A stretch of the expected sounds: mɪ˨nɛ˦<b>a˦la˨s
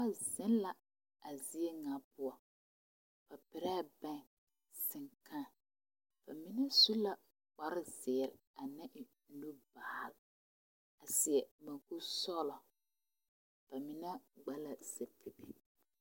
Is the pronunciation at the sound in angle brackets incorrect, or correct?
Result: incorrect